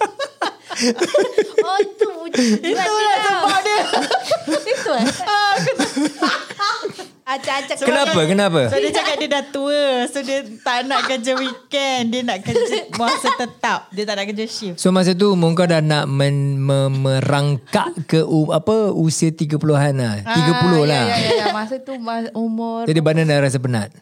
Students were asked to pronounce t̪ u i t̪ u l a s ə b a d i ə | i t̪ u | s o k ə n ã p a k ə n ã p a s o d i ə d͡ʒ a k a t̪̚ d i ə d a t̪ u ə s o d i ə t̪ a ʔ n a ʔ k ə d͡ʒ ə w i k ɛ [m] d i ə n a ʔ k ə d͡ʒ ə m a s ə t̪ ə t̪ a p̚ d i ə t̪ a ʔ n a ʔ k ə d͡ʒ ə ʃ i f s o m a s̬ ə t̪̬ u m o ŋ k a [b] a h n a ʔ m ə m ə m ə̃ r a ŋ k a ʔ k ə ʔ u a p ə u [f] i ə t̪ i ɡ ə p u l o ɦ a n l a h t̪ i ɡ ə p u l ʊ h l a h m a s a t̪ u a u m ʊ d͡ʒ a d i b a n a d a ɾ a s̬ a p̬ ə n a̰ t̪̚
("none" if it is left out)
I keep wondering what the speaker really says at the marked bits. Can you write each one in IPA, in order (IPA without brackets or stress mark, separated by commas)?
n, d, s